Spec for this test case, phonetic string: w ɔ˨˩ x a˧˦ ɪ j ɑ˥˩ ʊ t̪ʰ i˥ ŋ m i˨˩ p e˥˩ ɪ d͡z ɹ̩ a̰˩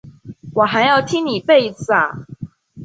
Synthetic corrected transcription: w ɔ˨˩ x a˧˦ ɪ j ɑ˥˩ ʊ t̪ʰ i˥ ŋ n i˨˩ p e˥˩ ɪ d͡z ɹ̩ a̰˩